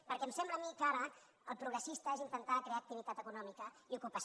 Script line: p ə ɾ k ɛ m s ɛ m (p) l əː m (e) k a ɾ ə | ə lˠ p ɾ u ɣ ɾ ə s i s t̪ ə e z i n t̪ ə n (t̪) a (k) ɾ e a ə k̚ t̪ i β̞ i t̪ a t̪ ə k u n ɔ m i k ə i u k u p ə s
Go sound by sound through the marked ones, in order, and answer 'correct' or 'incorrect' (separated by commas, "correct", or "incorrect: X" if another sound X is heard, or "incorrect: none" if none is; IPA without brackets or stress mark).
incorrect: b, incorrect: i, correct, correct